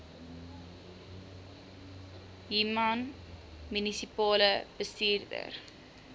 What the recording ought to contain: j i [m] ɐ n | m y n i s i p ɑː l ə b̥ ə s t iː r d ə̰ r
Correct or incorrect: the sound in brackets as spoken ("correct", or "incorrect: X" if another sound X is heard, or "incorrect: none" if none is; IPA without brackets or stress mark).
correct